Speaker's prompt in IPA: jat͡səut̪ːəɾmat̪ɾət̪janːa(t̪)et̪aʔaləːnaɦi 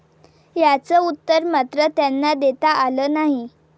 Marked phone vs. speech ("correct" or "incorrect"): incorrect